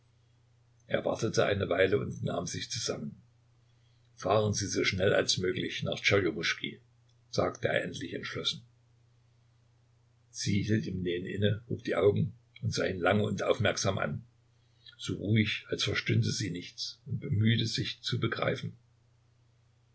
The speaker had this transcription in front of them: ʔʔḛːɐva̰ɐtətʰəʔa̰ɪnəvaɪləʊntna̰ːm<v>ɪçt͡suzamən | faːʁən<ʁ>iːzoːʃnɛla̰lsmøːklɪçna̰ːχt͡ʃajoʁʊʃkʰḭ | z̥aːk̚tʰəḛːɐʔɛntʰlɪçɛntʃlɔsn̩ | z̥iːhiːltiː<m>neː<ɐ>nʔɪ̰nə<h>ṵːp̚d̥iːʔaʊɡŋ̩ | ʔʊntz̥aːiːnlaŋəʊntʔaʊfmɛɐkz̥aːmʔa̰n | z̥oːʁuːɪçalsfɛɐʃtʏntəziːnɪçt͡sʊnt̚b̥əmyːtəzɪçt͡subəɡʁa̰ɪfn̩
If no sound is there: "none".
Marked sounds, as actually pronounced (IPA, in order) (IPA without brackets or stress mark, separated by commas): z, z, m, ə, h